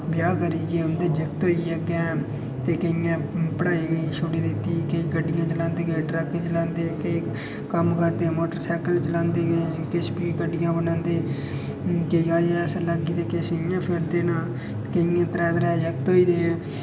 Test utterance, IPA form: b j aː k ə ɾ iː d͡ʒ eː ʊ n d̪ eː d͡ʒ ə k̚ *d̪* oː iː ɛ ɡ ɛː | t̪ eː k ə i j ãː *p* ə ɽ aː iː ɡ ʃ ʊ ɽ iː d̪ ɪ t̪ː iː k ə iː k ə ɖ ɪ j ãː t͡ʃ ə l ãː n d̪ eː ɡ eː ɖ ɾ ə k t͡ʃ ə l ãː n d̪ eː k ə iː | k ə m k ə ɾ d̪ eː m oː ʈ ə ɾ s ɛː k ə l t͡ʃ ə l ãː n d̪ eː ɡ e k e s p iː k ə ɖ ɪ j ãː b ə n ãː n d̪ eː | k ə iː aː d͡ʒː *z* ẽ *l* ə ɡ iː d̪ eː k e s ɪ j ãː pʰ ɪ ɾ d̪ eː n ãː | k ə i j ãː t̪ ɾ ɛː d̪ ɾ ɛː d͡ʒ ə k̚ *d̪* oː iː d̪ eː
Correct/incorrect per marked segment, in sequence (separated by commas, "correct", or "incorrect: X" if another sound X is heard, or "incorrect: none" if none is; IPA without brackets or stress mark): incorrect: t̪, correct, incorrect: s, correct, incorrect: t̪